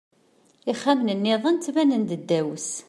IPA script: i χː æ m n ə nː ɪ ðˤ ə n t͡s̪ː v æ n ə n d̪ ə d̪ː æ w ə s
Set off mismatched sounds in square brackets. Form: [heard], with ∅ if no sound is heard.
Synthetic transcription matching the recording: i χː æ m n ə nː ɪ ðˤ ə n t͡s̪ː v æ n ə n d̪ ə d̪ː æ w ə s